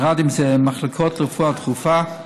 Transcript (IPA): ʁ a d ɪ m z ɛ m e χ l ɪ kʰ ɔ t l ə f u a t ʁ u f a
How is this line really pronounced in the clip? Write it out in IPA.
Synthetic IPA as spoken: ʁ a d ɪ m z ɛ m a χ l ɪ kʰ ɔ t l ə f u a t χ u f a